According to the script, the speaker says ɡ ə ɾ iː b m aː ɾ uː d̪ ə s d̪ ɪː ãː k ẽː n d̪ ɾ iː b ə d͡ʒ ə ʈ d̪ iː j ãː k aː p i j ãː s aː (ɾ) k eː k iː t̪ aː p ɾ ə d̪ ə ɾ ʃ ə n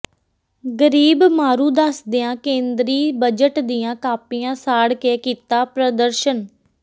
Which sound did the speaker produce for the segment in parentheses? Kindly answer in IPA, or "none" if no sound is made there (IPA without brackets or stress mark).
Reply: ɽ